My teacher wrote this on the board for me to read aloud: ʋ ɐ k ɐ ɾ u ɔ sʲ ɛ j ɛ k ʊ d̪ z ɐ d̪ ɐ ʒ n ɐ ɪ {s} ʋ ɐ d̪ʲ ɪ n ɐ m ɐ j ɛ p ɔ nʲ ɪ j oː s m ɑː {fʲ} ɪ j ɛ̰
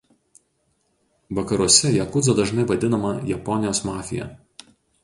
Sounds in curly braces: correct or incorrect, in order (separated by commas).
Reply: incorrect, correct